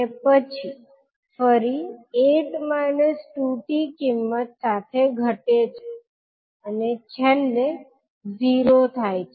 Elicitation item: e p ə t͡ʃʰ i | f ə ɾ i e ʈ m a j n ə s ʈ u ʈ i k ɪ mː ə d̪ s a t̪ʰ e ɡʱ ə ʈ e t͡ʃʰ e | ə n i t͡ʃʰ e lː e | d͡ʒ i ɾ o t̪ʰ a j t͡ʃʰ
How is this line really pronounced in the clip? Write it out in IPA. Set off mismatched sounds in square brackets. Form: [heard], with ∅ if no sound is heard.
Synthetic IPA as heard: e p ə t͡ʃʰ i | f ə ɾ i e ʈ m a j n ə s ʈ u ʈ i k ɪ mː ə [t̪] s a t̪ʰ e ɡʱ ə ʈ e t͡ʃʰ e | ə n [e] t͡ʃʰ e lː e | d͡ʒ i ɾ o t̪ʰ a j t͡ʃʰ

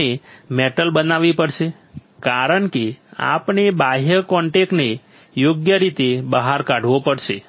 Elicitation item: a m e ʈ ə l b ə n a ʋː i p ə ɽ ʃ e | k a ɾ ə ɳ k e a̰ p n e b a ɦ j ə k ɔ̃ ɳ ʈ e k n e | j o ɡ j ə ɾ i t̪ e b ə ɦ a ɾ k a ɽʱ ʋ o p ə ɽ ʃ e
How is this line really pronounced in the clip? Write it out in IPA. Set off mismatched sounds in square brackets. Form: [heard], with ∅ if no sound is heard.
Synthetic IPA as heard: [e] m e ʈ ə l b ə n a [ʋ] i p ə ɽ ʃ e | k a ɾ ə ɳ k e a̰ p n e b a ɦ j ə k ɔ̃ ɳ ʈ e k n e | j o ɡ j ə ɾ i t̪ e b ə ɦ a ɾ k a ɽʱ ʋ o p ə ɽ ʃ e

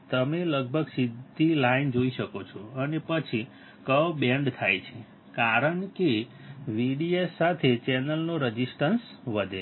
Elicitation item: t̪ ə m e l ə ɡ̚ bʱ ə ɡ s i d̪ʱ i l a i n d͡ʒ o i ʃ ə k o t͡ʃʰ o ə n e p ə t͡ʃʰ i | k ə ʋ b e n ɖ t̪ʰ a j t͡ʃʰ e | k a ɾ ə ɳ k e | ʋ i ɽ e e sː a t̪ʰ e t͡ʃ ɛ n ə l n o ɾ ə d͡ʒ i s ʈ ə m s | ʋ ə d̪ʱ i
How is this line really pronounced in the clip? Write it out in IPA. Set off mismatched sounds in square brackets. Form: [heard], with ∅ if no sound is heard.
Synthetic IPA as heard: t̪ ə m e l ə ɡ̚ bʱ ə ɡ s i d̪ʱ i l a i n d͡ʒ o i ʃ ə k o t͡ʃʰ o ə n e p ə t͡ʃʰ i | k ə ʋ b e [ɳ] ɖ t̪ʰ a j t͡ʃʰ e | k a ɾ ə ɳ k e | ʋ i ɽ [i] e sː a t̪ʰ e t͡ʃ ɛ n ə l n o ɾ ə d͡ʒ i s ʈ ə [n] s | ʋ ə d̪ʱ [e]

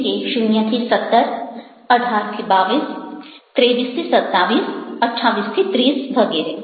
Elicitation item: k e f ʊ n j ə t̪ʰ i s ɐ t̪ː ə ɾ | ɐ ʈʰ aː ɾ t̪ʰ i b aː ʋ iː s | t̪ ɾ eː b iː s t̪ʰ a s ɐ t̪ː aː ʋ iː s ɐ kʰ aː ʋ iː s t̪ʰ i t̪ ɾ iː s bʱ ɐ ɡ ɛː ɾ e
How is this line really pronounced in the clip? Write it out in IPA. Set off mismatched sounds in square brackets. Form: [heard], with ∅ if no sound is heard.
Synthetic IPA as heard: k e [ʃ] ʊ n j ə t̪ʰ i s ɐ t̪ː ə ɾ | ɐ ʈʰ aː ɾ t̪ʰ i b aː ʋ iː s | t̪ ɾ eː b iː s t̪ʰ [i] s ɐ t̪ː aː ʋ iː s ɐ [ʈʰ] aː ʋ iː s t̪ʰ i t̪ ɾ iː s bʱ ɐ ɡ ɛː ɾ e

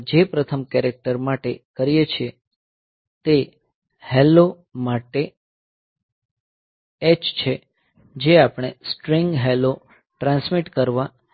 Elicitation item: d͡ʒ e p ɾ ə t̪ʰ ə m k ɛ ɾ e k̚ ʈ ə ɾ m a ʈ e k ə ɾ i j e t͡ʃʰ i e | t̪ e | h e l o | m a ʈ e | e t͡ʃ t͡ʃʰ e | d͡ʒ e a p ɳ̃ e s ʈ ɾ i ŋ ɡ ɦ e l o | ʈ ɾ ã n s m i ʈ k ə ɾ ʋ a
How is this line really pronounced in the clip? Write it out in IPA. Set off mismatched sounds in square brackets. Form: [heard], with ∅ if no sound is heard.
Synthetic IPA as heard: d͡ʒ e p ɾ ə t̪ʰ ə m k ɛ ɾ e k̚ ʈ ə ɾ m a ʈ e k ə ɾ i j e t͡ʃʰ i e | t̪ e | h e l o | m a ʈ e | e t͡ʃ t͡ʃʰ e | d͡ʒ e a p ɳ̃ e s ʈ ɾ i ŋ ɡ ɦ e l o | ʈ ɾ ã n s m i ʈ k ə ɾ ʋ a

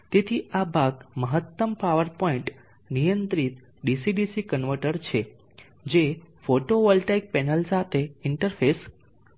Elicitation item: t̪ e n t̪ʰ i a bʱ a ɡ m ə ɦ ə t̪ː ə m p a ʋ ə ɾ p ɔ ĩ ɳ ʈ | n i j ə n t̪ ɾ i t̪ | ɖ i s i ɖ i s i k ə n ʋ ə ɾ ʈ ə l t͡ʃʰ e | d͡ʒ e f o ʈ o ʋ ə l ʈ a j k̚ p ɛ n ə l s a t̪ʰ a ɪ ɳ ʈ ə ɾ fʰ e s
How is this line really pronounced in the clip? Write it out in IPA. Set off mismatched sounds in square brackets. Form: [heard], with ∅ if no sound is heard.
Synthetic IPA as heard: t̪ e [∅] t̪ʰ i a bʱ a ɡ m ə ɦ ə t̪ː ə m p a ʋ ə ɾ p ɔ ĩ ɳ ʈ | n i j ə n t̪ ɾ i t̪ | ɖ i s i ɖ i s i k ə n ʋ ə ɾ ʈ ə [ɾ] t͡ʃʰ e | d͡ʒ e f o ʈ o ʋ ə l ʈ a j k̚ p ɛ n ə l s a t̪ʰ [e] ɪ ɳ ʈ ə ɾ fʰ e s

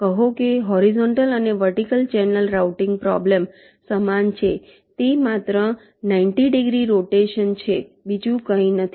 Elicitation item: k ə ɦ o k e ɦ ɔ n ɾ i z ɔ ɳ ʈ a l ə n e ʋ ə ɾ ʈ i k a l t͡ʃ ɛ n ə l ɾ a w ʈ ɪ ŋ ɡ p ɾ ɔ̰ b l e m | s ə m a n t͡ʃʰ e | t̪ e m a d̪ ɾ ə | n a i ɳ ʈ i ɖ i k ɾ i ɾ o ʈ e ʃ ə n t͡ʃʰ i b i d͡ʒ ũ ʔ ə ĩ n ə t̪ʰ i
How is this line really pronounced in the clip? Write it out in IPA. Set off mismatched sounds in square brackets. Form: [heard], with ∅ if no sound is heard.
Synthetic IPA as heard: k ə ɦ o k e ɦ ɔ [∅] ɾ i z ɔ ɳ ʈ [ə] l ə n e ʋ ə ɾ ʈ i k [ə] l t͡ʃ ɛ n ə l ɾ a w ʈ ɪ ŋ ɡ p ɾ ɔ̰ b l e m | s ə m a n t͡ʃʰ e | t̪ e m a [t̪] ɾ ə | n a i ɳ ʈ i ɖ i [ɡ] ɾ i ɾ o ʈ e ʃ ə n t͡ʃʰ [e] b i d͡ʒ ũ [k] ə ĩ n ə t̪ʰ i

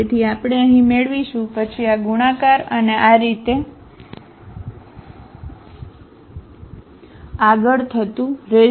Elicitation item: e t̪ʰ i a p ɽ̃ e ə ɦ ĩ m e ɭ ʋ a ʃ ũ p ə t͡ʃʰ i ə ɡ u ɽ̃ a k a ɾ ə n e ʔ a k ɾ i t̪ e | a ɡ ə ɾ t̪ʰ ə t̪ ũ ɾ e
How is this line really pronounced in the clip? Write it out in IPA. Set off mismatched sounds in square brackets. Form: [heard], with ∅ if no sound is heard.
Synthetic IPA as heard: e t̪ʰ i a p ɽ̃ e ə ɦ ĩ m e ɭ ʋ [i] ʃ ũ p ə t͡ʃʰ i [a] ɡ u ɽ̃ a k a ɾ ə n e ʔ a [∅] ɾ i t̪ e | a ɡ ə [ɭ] t̪ʰ ə t̪ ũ ɾ e

